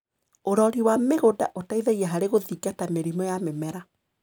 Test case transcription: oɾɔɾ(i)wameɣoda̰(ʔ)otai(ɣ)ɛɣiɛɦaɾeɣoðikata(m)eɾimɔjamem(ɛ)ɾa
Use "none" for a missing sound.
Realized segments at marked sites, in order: i, ʔ, ð, m, ɛ

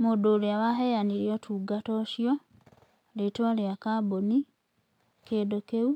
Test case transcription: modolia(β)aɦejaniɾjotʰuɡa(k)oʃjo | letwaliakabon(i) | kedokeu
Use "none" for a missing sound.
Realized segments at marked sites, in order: β, t, i

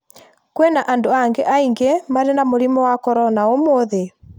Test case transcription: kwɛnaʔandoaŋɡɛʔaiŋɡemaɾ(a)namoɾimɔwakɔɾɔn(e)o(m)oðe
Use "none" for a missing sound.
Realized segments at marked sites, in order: e, a, m

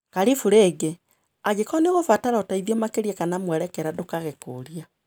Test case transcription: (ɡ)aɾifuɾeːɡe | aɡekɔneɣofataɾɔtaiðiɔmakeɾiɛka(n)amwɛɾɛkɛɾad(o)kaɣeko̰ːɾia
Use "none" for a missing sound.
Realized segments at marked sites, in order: k, n, o

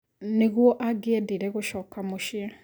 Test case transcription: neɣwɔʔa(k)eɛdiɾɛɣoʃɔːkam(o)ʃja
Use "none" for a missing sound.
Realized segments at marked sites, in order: ɡ, o

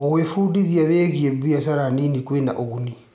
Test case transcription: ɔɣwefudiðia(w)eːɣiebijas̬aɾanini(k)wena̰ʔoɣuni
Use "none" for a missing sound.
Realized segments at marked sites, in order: β, k

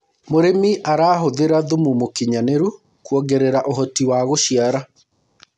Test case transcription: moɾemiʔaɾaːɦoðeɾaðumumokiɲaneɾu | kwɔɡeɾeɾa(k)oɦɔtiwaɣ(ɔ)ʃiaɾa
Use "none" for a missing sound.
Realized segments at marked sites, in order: ʔ, o

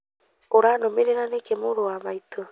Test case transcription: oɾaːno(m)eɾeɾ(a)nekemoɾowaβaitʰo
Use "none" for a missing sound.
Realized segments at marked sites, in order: m, a

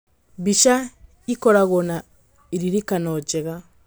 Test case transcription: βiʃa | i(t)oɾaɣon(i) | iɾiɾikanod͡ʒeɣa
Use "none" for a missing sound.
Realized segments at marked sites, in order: k, a

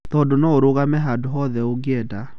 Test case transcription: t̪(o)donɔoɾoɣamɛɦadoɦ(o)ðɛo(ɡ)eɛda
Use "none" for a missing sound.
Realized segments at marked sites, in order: ɔ, ɔ, ɡ

